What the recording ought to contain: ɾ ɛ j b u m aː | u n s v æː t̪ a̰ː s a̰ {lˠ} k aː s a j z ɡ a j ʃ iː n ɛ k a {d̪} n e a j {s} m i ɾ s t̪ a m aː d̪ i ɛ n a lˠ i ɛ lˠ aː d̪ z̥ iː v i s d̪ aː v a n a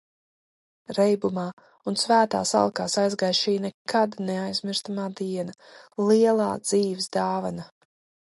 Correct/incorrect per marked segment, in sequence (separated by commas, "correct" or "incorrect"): correct, correct, incorrect